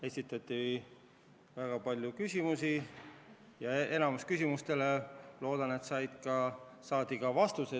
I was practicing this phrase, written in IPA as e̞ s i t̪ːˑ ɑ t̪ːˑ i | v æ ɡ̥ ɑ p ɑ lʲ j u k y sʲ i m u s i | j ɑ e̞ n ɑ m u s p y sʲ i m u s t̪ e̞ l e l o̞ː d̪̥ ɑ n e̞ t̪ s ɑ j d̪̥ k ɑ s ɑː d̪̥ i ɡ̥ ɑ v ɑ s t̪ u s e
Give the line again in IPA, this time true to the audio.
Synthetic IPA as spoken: e̞ s i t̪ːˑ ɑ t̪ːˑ i | v æ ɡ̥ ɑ p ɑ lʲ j u k y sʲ i m u s i | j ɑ e̞ n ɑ m u s k y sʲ i m u s t̪ e̞ l e l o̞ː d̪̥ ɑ n e̞ t̪ s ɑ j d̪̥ k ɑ s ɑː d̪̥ i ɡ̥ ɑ v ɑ s t̪ u s e